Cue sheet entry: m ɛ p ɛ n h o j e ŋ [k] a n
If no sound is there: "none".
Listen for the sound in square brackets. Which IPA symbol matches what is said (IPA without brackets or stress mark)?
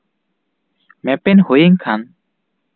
kʰ